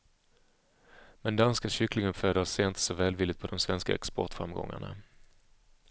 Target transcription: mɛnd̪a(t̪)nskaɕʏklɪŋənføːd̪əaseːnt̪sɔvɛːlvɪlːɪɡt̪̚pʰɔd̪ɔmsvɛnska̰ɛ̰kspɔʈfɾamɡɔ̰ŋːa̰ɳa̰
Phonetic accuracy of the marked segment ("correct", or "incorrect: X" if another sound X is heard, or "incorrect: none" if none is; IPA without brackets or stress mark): incorrect: none